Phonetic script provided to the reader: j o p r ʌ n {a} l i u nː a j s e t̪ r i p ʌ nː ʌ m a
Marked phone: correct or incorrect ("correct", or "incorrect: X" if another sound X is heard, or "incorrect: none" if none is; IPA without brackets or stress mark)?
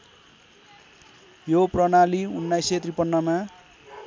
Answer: correct